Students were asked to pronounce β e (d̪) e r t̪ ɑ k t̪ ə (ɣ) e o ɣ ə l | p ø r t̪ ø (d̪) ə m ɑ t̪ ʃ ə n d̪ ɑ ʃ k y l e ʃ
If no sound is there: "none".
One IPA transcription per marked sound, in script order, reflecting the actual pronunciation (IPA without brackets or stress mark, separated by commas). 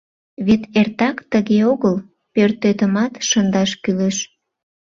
t̪, ɣ, t̪